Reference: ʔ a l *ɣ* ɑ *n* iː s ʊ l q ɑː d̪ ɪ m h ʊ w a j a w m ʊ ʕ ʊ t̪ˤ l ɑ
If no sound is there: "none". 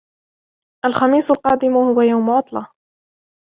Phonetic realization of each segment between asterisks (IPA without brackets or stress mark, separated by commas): x, m